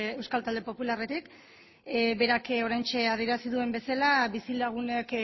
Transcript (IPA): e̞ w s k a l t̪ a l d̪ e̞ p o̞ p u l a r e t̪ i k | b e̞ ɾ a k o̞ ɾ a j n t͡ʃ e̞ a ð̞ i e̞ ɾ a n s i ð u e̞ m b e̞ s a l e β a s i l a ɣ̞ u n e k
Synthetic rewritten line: e̞ w s k a l t̪ a l d̪ e̞ p o̞ p u l a r e t̪ i k | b e̞ ɾ a k o̞ ɾ a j n t͡ʃ e̞ a ð̞ i e̞ ɾ a s i ð u e̞ m b e̞ s a l a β i s i l a ɣ̞ u n e k